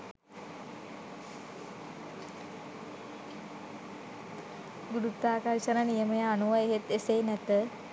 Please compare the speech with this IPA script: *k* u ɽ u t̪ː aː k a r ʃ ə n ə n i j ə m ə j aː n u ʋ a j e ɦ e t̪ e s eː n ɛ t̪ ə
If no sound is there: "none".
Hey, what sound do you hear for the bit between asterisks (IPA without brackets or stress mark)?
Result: ɡ